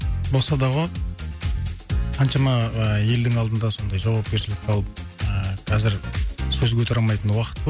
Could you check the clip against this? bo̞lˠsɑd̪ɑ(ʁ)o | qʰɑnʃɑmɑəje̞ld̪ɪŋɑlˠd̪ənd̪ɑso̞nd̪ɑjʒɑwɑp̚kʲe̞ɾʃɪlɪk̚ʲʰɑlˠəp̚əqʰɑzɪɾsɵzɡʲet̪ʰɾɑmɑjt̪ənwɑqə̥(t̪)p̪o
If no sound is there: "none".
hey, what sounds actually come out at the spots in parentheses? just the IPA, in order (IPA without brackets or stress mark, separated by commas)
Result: ʁ, t̪